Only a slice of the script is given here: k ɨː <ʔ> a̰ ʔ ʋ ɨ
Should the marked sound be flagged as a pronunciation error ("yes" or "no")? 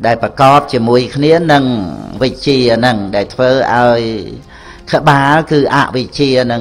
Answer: no